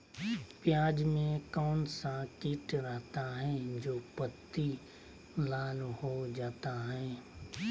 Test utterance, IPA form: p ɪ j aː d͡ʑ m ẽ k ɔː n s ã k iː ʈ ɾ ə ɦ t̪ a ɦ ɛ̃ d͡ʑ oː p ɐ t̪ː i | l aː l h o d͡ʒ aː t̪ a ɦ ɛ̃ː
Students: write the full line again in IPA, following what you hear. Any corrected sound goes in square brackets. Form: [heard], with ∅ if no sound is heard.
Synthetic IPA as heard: p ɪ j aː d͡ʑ m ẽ k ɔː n s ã k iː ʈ ɾ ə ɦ t̪ a ɦ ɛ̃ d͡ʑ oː p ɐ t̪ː i | l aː l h o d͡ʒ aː t̪ a ɦ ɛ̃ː